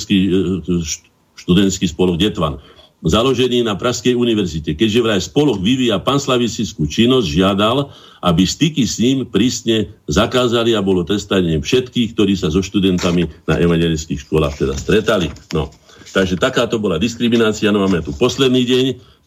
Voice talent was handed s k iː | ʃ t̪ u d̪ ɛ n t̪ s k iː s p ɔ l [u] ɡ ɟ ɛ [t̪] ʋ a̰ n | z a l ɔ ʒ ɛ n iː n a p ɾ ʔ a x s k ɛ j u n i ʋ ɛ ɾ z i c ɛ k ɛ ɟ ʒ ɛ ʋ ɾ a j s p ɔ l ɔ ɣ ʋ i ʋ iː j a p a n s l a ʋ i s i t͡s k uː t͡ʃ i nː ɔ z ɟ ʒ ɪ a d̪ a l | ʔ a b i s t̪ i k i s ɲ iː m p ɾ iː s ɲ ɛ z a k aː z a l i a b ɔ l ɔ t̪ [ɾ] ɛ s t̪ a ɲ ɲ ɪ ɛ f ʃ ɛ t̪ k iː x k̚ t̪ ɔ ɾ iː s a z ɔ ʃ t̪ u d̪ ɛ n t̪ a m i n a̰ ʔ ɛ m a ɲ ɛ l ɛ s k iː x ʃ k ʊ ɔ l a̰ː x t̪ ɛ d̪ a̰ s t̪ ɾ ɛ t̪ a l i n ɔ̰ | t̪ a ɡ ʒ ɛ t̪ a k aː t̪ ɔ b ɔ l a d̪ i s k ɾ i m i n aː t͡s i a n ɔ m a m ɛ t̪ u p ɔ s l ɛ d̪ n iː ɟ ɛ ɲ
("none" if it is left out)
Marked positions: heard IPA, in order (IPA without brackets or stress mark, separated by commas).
ɔ, t̪, ɾ